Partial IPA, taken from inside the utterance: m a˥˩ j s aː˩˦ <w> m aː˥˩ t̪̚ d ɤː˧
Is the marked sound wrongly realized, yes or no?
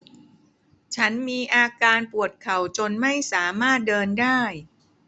yes